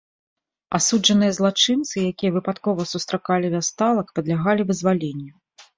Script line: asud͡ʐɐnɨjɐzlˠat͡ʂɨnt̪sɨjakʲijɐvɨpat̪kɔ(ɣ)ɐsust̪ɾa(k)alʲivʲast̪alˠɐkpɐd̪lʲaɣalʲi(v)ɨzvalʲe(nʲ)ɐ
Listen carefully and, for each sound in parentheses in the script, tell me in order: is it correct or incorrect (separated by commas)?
incorrect, correct, correct, incorrect